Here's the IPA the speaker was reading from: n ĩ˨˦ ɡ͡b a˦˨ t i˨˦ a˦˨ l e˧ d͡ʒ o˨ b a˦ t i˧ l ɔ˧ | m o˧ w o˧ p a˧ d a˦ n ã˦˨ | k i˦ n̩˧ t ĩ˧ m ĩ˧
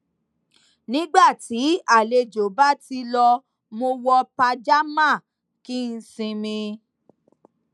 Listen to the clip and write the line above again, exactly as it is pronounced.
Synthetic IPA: n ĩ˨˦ ɡ͡b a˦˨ t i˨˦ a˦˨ l e˧ d͡ʒ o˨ b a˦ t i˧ l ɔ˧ | m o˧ w ɔ˧ p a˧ d͡ʒ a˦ m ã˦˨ | k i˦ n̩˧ s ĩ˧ m ĩ˧